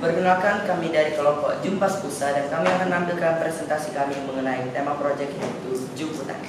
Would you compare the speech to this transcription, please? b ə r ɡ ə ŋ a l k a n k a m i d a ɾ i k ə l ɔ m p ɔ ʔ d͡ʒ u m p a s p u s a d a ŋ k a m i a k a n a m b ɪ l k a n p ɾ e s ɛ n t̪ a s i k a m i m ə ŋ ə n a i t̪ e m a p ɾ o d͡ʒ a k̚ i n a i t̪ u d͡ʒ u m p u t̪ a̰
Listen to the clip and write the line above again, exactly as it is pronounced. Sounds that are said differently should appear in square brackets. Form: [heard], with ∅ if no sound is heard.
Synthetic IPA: b ə r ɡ ə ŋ a l k a n k a m i d a ɾ i k ə l ɔ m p ɔ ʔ d͡ʒ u m p a s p u s a d a [n] k a m i a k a n a m b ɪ l k a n p ɾ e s ɛ n t̪ a s i k a m i m ə ŋ ə n a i t̪ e m a p ɾ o d͡ʒ [ɛ] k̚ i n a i t̪ u d͡ʒ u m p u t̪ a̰